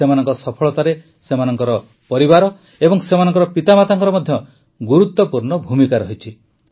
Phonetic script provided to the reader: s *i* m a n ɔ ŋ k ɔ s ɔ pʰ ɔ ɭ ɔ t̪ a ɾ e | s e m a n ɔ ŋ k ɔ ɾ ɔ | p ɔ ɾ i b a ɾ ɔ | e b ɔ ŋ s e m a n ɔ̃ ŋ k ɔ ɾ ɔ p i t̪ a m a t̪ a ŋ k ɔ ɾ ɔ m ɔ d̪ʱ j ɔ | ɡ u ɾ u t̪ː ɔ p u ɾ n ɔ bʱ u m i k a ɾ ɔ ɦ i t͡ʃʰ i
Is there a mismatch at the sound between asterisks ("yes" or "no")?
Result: yes